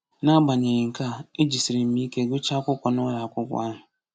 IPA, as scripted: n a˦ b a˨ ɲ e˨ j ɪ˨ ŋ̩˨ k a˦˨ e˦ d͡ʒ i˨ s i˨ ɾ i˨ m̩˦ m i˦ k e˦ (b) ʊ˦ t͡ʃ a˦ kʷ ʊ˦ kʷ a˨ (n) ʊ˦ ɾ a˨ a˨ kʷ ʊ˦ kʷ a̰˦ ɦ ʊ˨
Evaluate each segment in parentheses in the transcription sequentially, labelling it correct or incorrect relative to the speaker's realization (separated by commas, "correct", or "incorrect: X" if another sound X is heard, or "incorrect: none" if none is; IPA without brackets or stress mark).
incorrect: ɡ, correct